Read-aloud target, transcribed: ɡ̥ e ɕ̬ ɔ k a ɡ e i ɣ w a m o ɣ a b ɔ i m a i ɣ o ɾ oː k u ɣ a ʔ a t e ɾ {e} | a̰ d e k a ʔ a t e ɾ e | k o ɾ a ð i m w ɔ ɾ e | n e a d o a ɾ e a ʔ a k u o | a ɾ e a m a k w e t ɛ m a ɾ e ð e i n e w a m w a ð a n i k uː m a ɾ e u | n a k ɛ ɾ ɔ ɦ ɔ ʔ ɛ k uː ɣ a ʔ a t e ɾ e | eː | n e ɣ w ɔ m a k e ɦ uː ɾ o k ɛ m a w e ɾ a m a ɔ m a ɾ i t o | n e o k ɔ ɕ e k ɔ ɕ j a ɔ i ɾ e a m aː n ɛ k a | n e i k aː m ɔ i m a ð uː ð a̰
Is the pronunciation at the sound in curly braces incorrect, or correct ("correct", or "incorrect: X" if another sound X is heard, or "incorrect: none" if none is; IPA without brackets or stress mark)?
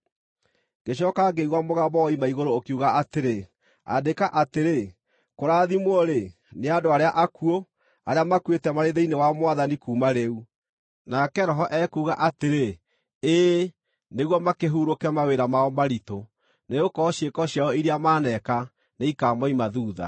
correct